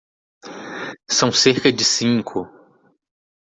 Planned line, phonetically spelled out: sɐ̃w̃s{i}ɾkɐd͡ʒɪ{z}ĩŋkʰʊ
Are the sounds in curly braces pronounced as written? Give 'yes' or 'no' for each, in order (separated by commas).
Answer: no, no